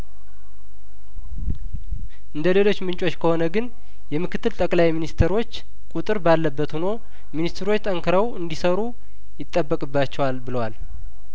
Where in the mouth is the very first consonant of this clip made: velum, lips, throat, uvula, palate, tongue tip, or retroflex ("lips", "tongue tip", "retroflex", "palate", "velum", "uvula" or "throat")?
throat